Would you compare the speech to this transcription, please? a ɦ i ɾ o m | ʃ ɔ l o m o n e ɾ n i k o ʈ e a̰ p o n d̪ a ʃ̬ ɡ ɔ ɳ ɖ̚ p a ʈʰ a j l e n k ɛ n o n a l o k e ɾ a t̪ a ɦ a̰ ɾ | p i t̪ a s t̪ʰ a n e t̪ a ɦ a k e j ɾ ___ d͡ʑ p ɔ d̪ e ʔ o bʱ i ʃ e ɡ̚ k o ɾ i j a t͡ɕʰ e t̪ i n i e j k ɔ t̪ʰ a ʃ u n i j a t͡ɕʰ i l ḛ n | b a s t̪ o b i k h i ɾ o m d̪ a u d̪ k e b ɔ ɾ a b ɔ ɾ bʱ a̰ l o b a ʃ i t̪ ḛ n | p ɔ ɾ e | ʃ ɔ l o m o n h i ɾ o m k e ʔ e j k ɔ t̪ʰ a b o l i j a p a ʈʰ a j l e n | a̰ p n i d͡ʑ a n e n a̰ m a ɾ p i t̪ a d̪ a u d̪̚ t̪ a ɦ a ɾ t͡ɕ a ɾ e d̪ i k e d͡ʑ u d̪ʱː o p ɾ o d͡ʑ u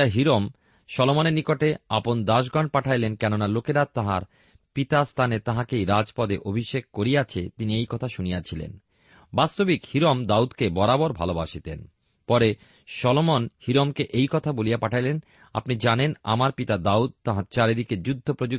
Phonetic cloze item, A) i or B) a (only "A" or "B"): B